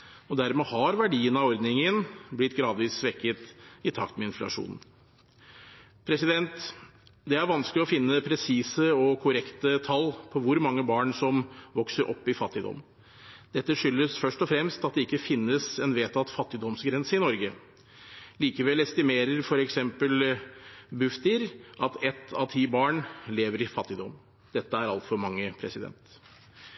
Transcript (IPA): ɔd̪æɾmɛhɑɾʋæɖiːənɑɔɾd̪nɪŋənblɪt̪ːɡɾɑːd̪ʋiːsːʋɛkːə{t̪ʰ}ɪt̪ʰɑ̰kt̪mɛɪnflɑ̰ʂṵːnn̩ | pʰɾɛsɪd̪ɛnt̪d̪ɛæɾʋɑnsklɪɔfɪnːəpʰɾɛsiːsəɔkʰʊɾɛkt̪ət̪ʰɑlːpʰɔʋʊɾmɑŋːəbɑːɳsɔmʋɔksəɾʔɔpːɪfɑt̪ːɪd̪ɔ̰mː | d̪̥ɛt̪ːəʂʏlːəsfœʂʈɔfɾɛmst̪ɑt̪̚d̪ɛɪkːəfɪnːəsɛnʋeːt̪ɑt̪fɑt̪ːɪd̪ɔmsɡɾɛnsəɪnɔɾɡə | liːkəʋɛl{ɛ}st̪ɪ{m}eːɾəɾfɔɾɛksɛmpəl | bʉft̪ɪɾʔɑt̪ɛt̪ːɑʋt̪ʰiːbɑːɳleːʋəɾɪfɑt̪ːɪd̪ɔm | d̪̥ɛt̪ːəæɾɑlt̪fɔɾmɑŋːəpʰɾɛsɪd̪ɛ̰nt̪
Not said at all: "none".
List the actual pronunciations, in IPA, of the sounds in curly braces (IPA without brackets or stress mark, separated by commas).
t̪, ɛ, m